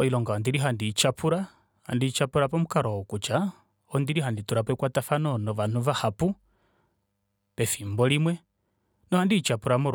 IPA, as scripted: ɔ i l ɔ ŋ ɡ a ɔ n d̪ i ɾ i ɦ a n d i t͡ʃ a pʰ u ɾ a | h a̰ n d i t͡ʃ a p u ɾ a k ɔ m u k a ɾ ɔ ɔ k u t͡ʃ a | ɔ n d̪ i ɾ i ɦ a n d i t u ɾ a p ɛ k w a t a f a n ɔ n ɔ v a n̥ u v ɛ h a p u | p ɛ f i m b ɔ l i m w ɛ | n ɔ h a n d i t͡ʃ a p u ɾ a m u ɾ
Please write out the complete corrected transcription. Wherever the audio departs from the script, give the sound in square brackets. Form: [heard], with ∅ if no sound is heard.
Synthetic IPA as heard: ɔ i l ɔ ŋ ɡ a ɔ n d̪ i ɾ i ɦ a n d i t͡ʃ a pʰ u ɾ a | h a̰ n d i t͡ʃ a p u ɾ a [p] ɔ m u k a ɾ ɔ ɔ k u t͡ʃ a | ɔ n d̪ i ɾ i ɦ a n d i t u ɾ a p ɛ k w a t a f a n ɔ n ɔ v a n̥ u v [a] h a p u | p ɛ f i m b ɔ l i m w ɛ | n ɔ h a n d i t͡ʃ a p u ɾ a m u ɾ